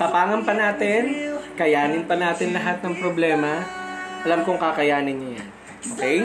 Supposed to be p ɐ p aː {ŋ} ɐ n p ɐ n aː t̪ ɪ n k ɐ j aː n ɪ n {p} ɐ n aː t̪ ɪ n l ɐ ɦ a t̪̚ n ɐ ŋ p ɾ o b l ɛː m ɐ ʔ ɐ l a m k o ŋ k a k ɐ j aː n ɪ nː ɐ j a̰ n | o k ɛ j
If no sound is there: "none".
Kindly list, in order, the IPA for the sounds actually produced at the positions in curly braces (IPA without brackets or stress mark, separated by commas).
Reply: ŋ, p